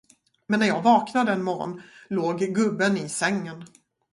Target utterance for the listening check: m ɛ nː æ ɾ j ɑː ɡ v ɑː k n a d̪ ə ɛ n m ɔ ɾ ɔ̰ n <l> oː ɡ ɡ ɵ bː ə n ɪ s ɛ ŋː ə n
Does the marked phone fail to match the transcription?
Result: no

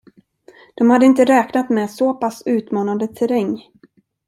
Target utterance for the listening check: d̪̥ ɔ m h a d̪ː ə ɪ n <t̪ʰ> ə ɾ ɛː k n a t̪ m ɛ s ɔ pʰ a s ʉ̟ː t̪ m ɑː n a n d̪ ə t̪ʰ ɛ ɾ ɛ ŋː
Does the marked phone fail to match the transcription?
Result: yes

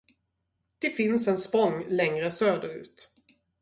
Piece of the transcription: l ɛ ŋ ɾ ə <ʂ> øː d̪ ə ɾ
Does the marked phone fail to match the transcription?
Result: yes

